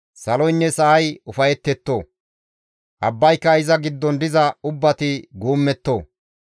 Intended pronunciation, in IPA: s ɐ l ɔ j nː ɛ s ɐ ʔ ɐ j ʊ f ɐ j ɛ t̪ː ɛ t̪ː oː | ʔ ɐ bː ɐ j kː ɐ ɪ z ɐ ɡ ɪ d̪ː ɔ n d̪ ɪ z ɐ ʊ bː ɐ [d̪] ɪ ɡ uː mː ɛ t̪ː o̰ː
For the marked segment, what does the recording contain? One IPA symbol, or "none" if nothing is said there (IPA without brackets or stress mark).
t̪